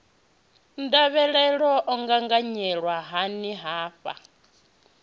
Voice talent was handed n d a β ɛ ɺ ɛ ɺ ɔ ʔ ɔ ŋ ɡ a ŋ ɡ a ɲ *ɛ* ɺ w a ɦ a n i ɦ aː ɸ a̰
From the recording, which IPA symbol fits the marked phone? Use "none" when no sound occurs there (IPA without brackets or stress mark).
ɛ